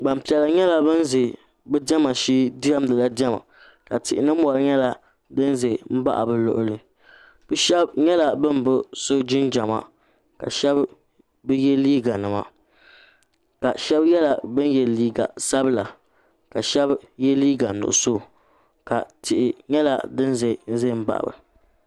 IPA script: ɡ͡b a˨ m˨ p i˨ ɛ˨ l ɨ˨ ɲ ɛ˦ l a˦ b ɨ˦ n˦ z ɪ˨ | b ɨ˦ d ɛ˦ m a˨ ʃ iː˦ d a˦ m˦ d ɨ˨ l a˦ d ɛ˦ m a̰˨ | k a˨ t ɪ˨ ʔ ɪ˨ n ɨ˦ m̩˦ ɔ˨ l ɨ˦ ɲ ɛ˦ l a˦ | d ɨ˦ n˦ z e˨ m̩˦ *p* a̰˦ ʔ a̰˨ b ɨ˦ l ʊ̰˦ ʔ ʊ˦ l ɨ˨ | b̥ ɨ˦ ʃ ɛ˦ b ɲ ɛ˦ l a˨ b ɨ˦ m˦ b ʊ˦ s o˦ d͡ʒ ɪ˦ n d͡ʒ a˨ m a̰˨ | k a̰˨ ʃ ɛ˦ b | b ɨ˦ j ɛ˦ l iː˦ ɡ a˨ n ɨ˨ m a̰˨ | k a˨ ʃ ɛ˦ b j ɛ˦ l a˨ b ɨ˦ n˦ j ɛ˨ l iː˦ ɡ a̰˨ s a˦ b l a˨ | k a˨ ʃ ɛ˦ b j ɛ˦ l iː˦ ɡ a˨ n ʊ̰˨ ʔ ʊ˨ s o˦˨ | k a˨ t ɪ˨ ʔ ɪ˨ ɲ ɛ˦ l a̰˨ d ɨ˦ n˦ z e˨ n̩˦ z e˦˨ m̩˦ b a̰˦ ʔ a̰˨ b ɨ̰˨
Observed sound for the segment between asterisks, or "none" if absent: b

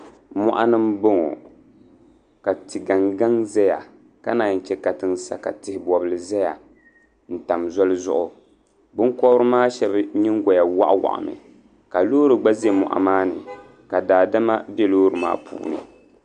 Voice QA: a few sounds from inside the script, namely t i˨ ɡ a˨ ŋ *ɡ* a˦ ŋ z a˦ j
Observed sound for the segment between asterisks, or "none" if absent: ɡ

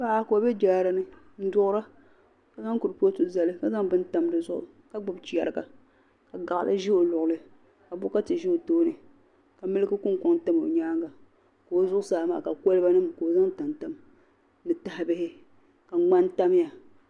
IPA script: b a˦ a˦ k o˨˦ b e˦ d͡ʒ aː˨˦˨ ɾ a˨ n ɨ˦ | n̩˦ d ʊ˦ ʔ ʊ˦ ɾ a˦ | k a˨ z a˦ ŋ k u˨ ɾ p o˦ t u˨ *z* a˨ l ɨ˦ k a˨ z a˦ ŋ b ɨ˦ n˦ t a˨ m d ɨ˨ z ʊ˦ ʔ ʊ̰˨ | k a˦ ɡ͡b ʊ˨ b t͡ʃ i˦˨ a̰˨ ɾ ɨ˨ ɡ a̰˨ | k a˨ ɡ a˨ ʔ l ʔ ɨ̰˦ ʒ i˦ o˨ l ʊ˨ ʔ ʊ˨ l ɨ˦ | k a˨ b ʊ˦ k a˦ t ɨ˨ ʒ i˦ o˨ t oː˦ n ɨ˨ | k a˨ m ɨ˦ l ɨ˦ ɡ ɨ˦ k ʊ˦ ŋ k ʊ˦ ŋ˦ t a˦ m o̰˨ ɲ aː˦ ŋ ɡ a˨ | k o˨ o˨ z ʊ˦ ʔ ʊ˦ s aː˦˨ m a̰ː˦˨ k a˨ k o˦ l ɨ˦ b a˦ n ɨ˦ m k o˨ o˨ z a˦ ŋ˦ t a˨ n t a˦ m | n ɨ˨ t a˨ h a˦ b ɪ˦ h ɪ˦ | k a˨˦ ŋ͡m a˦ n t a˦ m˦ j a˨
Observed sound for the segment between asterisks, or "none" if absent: z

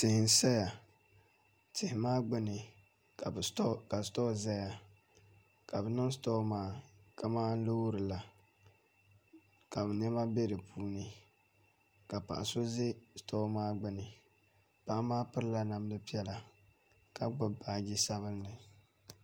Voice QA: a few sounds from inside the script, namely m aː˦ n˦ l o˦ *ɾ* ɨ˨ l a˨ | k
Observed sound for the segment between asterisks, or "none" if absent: ɾ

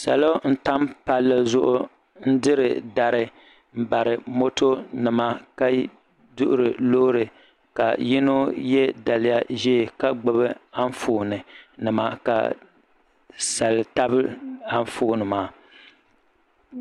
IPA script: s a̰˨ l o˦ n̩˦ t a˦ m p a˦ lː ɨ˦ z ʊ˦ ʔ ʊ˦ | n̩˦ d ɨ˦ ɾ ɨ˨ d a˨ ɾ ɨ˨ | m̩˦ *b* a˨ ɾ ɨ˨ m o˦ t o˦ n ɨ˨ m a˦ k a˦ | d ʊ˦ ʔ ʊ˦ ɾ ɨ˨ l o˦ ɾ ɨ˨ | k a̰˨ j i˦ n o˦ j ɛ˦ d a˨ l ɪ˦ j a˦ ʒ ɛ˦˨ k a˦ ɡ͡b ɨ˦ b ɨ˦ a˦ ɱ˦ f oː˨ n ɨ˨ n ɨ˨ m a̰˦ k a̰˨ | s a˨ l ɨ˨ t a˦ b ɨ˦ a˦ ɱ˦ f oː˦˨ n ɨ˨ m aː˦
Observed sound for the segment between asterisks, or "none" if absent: b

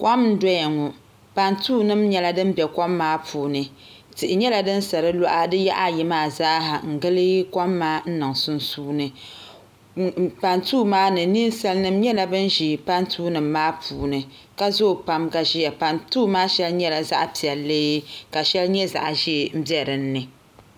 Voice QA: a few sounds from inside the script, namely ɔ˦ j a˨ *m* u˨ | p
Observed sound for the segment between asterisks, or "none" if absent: ŋ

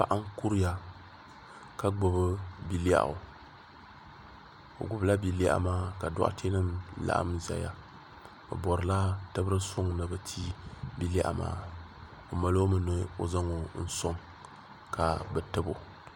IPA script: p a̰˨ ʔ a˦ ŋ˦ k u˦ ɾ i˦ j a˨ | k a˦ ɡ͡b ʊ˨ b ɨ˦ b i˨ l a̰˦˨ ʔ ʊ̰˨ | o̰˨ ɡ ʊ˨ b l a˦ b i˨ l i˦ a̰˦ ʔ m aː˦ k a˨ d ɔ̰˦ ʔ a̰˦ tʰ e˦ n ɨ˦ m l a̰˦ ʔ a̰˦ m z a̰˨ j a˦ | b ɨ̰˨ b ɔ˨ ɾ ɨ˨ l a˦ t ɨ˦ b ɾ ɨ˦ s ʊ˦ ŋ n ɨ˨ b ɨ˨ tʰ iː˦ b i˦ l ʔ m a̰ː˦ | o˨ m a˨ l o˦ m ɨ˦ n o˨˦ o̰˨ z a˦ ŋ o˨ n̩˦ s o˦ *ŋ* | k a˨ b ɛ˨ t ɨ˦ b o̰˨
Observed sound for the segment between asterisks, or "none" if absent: ŋ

